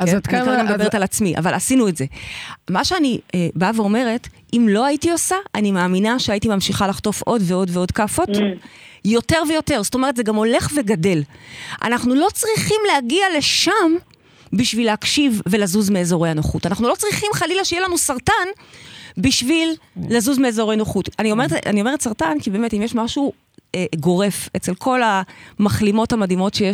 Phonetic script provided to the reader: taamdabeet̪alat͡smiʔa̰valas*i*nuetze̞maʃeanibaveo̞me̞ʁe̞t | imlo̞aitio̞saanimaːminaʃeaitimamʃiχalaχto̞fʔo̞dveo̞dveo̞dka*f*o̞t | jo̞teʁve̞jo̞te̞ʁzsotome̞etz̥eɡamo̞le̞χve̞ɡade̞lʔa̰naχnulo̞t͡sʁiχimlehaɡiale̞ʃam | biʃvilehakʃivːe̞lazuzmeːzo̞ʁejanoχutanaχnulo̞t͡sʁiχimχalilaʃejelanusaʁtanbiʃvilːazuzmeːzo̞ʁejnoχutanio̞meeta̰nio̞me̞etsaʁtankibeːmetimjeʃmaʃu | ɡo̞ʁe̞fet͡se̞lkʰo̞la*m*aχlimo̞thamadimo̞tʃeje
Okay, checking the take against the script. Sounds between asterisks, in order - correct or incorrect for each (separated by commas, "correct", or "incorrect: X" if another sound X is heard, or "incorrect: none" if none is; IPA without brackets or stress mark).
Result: correct, correct, correct